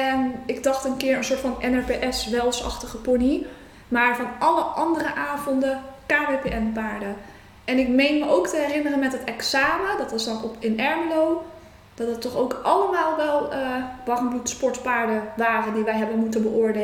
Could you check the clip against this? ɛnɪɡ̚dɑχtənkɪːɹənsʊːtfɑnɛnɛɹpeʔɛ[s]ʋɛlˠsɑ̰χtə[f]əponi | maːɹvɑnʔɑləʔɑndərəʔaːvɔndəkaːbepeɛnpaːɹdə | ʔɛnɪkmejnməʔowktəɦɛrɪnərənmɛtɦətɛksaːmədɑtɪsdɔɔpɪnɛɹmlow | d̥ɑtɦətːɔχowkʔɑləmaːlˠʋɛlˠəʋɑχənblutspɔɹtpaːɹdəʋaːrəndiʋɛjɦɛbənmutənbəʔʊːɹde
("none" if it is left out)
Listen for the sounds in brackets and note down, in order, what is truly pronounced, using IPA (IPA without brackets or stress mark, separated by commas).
s, χ